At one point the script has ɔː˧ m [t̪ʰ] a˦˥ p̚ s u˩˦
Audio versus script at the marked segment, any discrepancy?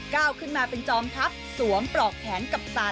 no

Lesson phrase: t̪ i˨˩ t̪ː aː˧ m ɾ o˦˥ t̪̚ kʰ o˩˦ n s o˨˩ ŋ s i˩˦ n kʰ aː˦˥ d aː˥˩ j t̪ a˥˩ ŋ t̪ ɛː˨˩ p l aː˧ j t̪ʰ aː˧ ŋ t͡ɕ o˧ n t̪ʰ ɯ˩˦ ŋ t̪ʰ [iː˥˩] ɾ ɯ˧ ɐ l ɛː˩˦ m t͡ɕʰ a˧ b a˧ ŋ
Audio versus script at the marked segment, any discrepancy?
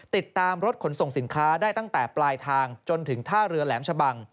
yes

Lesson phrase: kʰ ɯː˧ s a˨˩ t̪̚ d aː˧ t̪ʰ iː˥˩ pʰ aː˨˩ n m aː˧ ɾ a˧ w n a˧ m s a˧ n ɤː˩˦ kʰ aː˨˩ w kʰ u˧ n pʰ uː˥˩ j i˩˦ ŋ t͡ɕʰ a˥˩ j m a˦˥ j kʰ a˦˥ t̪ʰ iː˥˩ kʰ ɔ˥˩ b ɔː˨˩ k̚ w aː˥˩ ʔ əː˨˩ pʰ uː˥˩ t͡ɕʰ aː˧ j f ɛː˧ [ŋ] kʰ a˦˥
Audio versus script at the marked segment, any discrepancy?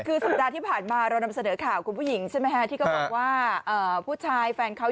yes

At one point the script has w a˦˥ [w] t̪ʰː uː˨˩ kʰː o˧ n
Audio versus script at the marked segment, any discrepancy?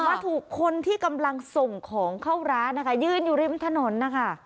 yes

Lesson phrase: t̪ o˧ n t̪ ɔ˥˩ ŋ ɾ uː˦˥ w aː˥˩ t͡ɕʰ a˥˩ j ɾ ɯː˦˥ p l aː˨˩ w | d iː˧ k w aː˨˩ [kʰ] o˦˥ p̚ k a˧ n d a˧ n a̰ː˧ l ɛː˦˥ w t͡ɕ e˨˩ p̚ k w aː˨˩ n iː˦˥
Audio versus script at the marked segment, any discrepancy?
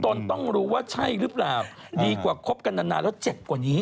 no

